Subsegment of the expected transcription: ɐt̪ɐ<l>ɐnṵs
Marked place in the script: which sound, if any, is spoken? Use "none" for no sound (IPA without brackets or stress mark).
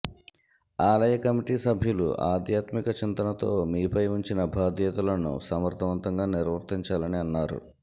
l